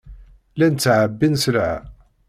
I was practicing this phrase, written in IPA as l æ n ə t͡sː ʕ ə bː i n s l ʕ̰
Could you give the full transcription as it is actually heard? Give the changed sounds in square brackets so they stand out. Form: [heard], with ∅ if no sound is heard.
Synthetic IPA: l æ n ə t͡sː ʕ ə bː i n s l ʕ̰